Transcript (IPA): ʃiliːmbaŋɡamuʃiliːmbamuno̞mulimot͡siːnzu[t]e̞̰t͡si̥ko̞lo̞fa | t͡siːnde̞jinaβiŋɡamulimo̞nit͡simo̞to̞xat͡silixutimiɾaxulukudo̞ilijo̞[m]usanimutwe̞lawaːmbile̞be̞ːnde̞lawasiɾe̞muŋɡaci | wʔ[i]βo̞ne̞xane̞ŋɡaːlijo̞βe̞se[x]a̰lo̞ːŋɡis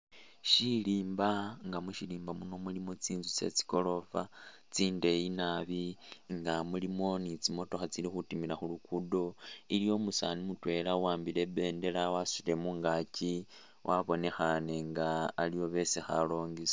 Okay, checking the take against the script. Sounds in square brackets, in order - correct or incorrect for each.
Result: incorrect, correct, incorrect, correct

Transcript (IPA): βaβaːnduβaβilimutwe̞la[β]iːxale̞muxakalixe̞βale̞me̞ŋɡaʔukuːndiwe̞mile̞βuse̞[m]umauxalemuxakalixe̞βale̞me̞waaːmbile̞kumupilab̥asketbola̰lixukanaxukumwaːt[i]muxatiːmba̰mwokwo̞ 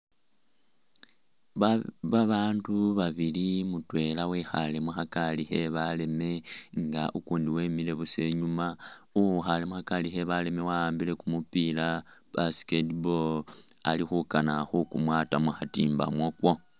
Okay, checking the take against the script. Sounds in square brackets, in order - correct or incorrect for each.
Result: incorrect, incorrect, incorrect

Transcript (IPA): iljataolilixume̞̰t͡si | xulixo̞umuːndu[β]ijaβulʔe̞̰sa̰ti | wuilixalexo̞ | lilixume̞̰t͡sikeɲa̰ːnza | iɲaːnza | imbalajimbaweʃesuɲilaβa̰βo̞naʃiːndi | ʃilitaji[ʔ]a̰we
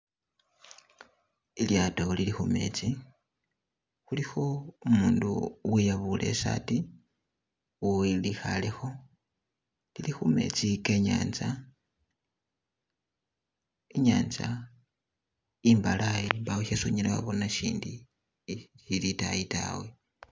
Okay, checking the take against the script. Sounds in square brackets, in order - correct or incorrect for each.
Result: incorrect, incorrect

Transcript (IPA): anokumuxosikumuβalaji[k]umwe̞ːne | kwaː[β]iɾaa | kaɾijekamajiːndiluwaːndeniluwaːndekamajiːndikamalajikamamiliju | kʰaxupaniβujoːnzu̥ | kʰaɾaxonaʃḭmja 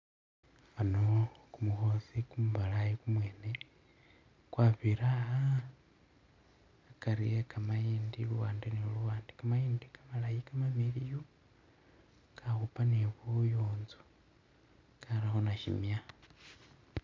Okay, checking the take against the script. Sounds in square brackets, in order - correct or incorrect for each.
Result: correct, correct

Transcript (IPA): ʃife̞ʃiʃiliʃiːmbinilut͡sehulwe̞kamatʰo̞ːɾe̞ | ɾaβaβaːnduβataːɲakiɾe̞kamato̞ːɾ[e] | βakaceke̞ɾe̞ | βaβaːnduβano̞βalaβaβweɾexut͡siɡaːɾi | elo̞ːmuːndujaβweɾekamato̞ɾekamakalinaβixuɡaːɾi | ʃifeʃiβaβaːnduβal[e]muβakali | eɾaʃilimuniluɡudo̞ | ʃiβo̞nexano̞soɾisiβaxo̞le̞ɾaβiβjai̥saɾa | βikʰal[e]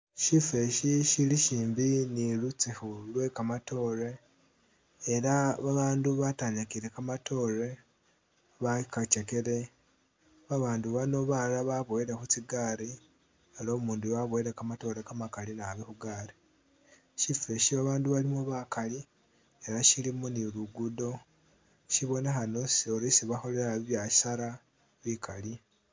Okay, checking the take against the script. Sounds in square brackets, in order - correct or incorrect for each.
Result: correct, incorrect, incorrect

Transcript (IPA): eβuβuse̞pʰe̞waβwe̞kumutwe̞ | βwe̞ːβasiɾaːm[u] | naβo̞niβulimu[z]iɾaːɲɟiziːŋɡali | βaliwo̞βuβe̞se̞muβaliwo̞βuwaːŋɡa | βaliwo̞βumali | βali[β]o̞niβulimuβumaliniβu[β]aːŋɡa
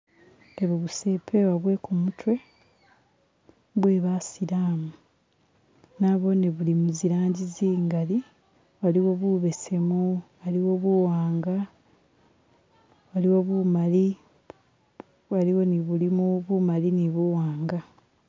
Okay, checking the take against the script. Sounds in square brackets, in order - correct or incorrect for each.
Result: correct, correct, incorrect, incorrect

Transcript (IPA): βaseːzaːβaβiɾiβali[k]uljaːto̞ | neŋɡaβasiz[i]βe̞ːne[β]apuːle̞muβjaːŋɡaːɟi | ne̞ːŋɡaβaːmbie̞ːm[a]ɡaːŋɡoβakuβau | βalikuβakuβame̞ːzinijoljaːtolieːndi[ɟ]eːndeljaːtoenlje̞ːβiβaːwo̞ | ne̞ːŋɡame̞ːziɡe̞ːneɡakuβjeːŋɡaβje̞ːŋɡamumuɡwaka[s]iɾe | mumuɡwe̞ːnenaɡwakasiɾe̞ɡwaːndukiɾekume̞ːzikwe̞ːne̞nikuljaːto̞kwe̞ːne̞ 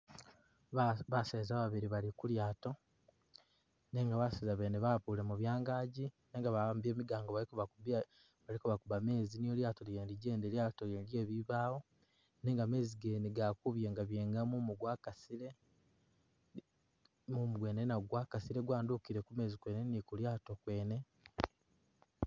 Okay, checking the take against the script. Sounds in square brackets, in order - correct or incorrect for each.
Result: correct, incorrect, correct, incorrect, correct, correct

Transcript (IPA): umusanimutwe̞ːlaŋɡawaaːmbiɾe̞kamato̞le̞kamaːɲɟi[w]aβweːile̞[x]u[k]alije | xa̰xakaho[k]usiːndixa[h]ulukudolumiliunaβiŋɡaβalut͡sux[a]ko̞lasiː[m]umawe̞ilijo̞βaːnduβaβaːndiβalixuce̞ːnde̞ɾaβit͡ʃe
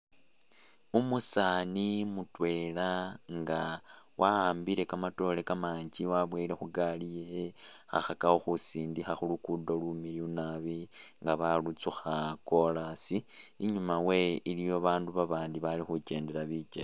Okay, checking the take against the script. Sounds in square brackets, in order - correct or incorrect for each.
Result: correct, correct, incorrect, incorrect, incorrect, correct, incorrect

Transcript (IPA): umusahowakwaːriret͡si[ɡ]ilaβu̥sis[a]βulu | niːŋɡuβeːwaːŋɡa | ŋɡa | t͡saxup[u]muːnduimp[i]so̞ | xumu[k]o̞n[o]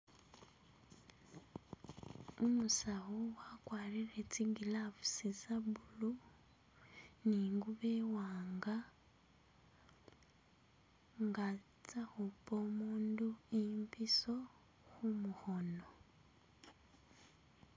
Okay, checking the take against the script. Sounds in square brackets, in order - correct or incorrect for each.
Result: correct, correct, incorrect, correct, incorrect, correct

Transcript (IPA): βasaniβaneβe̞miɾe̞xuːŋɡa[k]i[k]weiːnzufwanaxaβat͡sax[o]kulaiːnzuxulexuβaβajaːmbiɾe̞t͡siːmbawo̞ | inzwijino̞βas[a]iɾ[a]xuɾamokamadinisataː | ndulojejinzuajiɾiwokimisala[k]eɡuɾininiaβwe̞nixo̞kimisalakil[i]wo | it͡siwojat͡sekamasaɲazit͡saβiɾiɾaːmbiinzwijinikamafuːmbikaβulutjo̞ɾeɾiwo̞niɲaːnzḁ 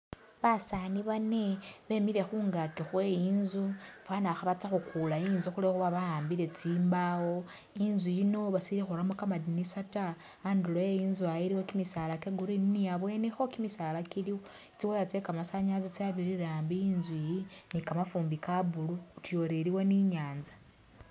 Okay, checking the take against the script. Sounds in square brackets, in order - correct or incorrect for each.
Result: correct, incorrect, incorrect, incorrect, incorrect, correct, correct

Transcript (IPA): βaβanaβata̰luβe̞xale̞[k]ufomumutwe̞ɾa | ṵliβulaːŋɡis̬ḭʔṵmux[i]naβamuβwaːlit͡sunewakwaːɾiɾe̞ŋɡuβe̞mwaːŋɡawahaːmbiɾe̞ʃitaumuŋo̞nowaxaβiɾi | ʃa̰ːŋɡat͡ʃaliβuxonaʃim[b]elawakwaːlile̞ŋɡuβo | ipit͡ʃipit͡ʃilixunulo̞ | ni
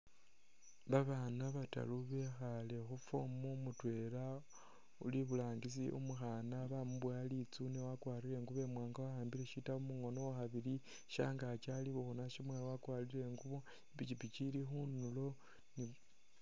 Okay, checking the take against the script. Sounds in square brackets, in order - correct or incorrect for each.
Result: incorrect, incorrect, incorrect

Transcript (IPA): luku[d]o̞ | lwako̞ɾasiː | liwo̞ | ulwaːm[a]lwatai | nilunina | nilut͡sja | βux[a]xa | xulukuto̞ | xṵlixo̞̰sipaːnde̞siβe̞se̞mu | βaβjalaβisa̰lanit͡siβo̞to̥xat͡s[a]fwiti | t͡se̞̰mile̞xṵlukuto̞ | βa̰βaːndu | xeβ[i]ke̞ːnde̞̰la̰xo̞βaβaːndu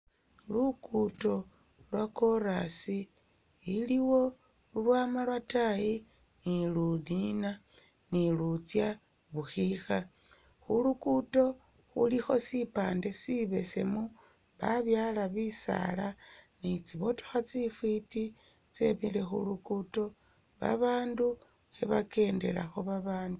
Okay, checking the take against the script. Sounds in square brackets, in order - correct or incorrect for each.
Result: incorrect, correct, incorrect, incorrect, incorrect

